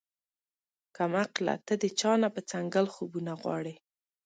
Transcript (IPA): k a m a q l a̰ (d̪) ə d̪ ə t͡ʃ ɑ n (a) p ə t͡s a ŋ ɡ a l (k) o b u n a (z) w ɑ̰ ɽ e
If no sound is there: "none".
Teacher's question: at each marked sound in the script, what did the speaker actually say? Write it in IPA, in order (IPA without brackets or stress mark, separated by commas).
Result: t̪, a, x, ɣ